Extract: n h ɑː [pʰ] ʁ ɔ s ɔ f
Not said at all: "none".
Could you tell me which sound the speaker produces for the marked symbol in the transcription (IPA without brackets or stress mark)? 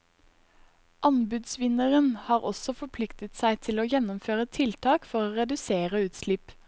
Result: none